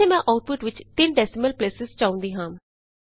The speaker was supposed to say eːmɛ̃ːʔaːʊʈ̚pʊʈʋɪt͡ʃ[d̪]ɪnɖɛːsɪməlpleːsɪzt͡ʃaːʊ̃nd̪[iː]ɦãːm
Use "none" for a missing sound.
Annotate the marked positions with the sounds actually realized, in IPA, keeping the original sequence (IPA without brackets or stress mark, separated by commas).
t̪, iː